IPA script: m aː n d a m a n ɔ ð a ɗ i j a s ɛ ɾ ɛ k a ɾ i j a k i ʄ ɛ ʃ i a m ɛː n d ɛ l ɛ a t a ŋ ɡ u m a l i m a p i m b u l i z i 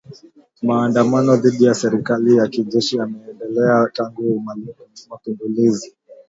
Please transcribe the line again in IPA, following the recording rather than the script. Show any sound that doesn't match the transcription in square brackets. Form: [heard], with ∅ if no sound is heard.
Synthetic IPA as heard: m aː n d a m a n ɔ ð [i] ɗ i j a s ɛ ɾ [i] k a [l] i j a k i ʄ ɛ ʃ i a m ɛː n d ɛ l ɛ a t a ŋ ɡ u m a l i m a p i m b u l i z i